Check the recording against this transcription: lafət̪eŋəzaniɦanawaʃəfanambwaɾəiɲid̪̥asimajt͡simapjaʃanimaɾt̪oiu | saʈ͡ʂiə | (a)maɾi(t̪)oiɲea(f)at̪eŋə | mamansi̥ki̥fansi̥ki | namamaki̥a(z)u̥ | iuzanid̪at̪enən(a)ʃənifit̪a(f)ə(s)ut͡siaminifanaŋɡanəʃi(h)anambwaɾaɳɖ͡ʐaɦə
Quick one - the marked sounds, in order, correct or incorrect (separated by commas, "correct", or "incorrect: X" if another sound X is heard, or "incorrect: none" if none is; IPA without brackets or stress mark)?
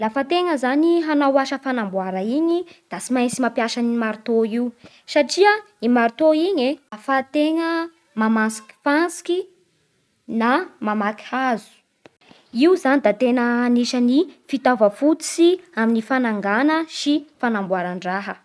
incorrect: i, correct, correct, correct, incorrect: i, incorrect: v, incorrect: f, incorrect: f